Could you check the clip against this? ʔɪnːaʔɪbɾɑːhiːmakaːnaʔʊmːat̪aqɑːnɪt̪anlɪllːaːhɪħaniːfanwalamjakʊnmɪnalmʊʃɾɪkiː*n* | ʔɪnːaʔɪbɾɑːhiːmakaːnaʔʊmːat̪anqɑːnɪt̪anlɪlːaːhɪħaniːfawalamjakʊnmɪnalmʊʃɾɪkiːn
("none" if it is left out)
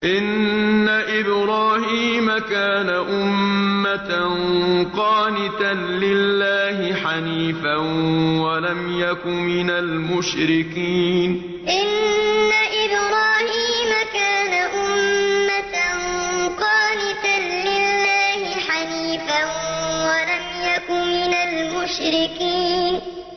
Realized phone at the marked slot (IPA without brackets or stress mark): n